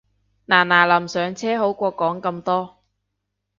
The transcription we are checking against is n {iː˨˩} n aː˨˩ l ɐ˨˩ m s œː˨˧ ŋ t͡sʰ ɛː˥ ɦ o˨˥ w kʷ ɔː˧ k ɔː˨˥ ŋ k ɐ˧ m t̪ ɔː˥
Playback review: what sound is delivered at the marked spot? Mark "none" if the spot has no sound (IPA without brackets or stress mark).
aː˨˩